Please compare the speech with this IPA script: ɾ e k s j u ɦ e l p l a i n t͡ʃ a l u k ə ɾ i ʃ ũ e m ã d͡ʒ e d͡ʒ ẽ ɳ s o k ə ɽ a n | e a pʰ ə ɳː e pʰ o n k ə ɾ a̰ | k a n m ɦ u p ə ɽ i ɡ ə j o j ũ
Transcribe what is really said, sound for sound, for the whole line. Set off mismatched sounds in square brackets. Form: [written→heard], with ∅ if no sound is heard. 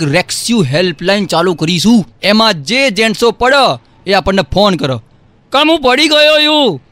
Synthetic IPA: ɾ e k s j u ɦ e l p l a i n t͡ʃ a l u k ə ɾ i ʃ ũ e m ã d͡ʒ e d͡ʒ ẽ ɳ s o [k→p] ə ɽ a [n→∅] | e a [pʰ→p] ə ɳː e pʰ o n k ə ɾ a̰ | k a [n→∅] m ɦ [u→ũ] p ə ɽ i ɡ ə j o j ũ